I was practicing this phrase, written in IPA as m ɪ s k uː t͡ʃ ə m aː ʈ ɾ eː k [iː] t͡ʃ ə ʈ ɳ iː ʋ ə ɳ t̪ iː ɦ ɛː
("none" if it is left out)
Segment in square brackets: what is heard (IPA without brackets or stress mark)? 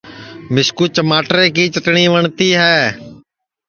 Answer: iː